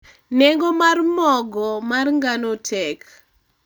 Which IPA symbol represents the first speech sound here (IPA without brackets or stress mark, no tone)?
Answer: n